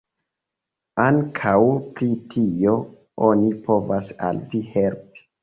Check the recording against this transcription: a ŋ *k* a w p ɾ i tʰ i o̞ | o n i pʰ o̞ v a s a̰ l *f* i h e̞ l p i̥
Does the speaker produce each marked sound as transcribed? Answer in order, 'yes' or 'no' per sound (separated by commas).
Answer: no, no